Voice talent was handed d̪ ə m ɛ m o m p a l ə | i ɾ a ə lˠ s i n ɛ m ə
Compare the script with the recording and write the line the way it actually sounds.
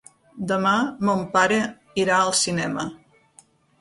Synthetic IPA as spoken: d̪ ə m a m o m p a ɾ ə | i ɾ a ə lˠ s i n ɛ m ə